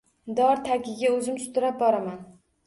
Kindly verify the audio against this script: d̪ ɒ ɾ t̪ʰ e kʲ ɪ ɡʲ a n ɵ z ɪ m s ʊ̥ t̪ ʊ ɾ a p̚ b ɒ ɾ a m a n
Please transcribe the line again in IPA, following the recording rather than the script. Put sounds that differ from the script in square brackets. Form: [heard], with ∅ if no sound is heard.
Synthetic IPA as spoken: d̪ ɒ ɾ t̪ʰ [a] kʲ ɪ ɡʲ a [∅] ɵ z ɪ m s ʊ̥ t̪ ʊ ɾ a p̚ b ɒ ɾ a m a n